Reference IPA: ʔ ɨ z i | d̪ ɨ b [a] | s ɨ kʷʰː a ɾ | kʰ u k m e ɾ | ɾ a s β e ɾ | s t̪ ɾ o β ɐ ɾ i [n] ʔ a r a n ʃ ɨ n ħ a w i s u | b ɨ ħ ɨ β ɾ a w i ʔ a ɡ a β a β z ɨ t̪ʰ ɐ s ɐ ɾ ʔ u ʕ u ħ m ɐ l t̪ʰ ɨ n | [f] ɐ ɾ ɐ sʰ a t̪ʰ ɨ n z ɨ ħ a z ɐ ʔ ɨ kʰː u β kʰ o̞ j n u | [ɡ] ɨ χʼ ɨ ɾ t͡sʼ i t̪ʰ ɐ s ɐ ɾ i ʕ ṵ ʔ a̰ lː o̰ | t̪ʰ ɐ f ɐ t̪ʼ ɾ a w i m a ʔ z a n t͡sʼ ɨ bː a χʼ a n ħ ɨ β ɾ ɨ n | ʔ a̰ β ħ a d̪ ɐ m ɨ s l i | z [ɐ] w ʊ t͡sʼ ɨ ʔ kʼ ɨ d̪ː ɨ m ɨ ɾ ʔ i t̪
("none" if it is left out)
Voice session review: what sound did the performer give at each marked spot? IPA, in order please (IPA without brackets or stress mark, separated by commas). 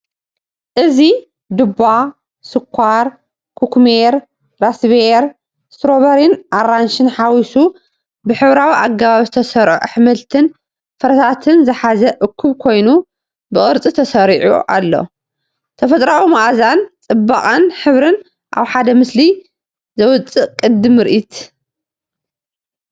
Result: a, n, f, b, ɐ